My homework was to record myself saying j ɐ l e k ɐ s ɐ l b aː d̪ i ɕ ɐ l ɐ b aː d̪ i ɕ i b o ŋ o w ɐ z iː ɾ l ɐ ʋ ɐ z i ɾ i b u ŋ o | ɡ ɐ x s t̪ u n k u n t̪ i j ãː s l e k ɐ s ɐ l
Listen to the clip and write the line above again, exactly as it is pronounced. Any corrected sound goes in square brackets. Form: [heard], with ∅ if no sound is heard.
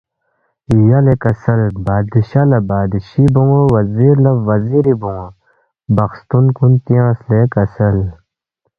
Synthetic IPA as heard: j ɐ l e k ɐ s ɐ l b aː d̪ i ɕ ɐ l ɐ b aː d̪ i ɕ i b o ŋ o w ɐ z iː ɾ l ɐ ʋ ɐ z i ɾ i b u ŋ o | [b] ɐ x s t̪ u n k u n t̪ i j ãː s l e k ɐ s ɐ l